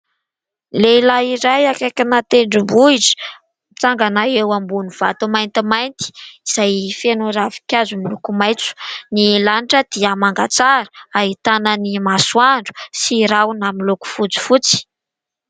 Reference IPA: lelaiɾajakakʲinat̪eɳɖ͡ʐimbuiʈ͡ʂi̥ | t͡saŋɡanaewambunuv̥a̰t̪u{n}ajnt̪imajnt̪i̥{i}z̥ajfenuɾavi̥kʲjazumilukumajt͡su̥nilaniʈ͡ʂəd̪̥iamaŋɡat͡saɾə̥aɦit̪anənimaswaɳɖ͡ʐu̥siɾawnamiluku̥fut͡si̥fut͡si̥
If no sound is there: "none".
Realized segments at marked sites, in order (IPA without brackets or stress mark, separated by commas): m, i